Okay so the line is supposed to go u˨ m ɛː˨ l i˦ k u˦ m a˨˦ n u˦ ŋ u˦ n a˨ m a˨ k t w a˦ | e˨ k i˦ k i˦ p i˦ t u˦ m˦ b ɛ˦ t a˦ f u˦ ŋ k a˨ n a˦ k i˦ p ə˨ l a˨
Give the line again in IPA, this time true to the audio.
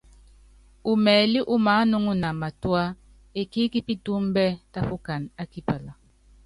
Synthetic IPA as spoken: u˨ m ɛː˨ l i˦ ʔ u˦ m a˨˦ n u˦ ŋ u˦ n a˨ m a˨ t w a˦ | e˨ k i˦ k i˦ p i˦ t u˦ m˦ b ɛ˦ t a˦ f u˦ k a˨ n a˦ k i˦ p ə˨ l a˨